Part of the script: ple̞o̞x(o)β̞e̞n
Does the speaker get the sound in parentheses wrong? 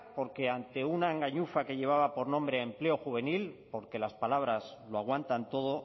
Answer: yes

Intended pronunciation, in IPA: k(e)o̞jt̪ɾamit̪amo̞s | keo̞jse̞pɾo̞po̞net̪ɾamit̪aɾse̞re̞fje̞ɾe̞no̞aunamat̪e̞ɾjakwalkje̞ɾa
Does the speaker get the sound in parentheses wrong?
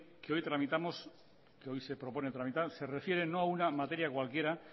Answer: no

